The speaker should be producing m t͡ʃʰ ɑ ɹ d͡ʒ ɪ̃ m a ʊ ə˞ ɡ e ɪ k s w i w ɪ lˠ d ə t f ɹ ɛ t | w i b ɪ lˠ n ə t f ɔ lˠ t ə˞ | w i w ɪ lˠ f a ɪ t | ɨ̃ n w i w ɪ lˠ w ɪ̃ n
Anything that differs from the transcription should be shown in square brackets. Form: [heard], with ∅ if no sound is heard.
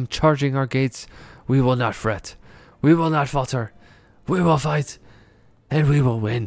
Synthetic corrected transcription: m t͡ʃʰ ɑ ɹ d͡ʒ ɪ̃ [ŋ] a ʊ ə˞ ɡ e ɪ [t] s w i w ɪ lˠ [n] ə t f ɹ ɛ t | w i [w] ɪ lˠ n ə t f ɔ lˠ t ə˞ | w i w ɪ lˠ f a ɪ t | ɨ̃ n w i w ɪ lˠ w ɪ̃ n